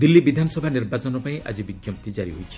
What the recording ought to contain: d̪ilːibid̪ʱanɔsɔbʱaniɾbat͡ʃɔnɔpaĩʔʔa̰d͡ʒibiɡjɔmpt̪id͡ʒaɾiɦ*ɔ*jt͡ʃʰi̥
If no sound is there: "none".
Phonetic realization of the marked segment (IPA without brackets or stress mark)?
o